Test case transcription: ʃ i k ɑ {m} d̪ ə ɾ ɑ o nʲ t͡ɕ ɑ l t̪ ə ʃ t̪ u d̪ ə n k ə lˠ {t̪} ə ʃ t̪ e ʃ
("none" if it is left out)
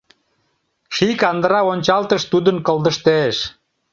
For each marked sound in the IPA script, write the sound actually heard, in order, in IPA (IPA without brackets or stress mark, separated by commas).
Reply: n, d̪